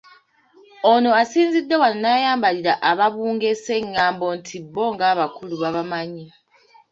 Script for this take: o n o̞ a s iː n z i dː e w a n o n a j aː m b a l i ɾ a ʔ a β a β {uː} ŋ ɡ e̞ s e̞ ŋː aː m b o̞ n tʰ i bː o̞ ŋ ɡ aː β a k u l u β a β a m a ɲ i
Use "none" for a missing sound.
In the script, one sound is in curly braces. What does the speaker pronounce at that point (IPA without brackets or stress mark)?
uː